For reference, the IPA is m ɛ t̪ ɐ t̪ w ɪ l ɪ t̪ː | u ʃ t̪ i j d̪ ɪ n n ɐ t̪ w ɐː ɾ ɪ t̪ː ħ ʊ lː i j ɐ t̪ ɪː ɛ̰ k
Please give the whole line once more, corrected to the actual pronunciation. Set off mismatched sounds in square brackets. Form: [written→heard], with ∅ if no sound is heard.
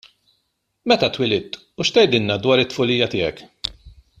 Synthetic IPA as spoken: m ɛ t̪ ɐ t̪ w ɪ l ɪ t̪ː | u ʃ t̪ [i→ɛ] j d̪ ɪ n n ɐ [t̪→d̪] w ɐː ɾ ɪ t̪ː [ħ→f] ʊ [lː→l] i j ɐ t̪ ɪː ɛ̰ k